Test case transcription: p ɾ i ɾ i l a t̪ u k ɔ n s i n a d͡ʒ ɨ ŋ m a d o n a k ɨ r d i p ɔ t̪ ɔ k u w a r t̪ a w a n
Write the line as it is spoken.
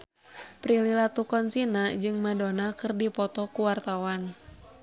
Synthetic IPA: p ɾ i l i l a t̪ u k ɔ n s i n a d͡ʒ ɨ ŋ m a d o n a k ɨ r d i p ɔ t̪ ɔ k u w a r t̪ a w a n

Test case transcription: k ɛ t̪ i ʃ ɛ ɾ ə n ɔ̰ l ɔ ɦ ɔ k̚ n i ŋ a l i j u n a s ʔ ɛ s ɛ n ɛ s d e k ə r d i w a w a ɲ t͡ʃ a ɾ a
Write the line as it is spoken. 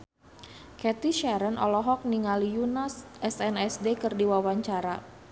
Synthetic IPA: k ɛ t̪ i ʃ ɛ ɾ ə n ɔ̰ l ɔ ɦ ɔ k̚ n i ŋ a l i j u n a s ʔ ɛ s ɛ n ɛ s d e k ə r d i w a w a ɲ t͡ʃ a ɾ a

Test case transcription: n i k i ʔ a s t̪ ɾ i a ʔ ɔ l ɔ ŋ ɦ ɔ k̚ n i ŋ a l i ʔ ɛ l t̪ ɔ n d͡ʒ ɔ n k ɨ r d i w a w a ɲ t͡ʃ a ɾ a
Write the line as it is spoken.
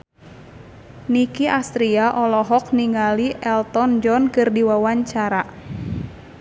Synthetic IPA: n i k i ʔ a s t̪ ɾ i a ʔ ɔ l ɔ ɦ ɔ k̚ n i ŋ a l i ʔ ɛ l t̪ ɔ n d͡ʒ ɔ n k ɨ r d i w a w a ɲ t͡ʃ a ɾ a

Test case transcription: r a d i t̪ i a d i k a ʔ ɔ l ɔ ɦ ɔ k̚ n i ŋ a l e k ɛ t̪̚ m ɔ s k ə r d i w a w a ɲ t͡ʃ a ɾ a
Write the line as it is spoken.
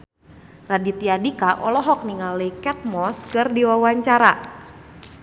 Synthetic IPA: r a d i t̪ i a d i k a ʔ ɔ l ɔ ɦ ɔ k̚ n i ŋ a l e k ɛ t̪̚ m ɔ s k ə r d i w a w a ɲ t͡ʃ a ɾ a

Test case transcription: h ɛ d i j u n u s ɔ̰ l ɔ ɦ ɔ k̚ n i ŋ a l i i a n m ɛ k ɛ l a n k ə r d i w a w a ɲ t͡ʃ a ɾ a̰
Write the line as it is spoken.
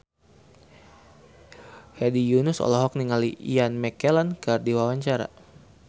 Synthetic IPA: h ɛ d i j u n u s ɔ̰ l ɔ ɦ ɔ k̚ n i ŋ a l i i a n m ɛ k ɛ l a n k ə r d i w a w a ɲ t͡ʃ a ɾ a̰

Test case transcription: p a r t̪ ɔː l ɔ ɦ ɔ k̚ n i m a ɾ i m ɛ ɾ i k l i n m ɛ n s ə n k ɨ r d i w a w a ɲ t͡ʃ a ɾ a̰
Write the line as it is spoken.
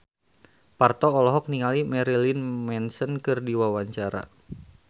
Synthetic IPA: p a r t̪ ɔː l ɔ ɦ ɔ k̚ n i ŋ a l i m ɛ ɾ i l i n m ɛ n s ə n k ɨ r d i w a w a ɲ t͡ʃ a ɾ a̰

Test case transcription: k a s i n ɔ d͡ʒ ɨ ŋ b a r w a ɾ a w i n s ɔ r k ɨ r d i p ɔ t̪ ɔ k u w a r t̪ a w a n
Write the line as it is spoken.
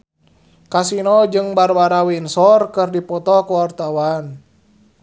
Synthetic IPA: k a s i n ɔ d͡ʒ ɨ ŋ b a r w a ɾ a w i n s ɔ r k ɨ r d i p ɔ t̪ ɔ k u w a r t̪ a w a n

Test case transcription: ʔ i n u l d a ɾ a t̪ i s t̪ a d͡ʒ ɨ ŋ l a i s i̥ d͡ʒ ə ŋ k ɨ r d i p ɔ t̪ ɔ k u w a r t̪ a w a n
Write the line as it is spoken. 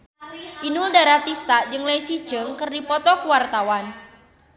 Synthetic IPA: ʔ i n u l d a ɾ a t̪ i s t̪ a d͡ʒ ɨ ŋ l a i s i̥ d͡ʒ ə ŋ k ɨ r d i p ɔ t̪ ɔ k u w a r t̪ a w a n

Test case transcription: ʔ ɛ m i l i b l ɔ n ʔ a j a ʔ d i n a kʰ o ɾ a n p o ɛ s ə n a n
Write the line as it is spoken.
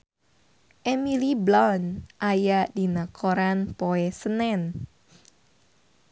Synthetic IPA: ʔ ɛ m i l i b l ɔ n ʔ a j a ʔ d i n a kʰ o ɾ a n p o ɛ s ə n ɛ n

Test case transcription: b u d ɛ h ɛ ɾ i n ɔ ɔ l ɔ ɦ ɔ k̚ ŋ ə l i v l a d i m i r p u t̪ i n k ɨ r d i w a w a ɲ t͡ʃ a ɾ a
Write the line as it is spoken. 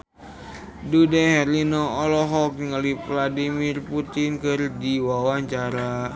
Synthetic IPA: d u d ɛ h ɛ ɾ i n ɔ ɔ l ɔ ɦ ɔ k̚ ŋ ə l i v l a d i m i r p u t̪ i n k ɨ r d i w a w a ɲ t͡ʃ a ɾ a

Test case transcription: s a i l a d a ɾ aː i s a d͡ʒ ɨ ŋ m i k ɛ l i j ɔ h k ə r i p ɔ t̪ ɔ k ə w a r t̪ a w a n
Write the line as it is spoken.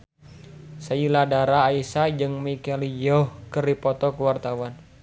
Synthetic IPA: s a i l a d a ɾ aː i s a d͡ʒ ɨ ŋ m i k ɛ l i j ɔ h k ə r i p ɔ t̪ ɔ k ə w a r t̪ a w a n

